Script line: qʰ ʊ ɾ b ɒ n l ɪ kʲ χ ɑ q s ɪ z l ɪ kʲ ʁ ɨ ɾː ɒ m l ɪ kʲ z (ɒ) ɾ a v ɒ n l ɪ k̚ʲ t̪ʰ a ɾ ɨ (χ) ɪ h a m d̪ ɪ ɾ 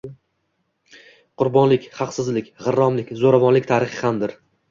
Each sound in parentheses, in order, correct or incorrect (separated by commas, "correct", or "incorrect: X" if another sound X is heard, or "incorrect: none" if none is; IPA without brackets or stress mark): incorrect: o, correct